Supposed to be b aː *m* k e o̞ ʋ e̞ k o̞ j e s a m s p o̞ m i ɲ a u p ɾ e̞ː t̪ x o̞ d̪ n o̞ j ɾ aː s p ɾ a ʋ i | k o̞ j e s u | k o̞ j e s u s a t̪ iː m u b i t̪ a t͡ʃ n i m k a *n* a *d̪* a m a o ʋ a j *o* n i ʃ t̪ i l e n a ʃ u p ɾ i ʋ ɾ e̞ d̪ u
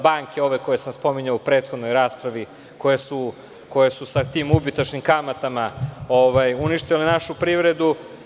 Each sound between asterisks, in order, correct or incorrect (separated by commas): incorrect, incorrect, incorrect, incorrect